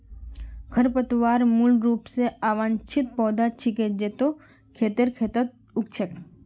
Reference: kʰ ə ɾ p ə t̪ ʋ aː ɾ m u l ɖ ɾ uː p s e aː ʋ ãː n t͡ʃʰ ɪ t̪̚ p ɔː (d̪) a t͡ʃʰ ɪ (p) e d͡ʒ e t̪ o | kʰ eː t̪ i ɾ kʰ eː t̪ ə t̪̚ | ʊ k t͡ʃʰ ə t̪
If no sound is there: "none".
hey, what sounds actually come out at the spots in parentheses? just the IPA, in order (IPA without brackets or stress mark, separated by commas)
d̪, k